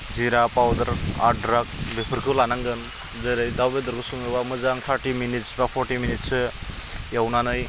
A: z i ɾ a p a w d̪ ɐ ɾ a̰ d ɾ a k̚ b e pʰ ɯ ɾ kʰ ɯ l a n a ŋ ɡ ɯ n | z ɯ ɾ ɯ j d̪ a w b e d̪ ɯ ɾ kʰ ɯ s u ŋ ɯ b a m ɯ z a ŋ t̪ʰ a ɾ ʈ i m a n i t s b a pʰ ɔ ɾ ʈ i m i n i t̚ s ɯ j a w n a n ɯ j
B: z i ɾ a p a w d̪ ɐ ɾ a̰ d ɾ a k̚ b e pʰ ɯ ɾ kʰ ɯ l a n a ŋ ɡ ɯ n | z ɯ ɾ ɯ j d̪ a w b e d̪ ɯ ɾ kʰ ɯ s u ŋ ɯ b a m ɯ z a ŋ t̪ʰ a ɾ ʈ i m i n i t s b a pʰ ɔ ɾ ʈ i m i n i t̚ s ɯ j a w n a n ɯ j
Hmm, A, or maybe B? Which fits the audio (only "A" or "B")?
B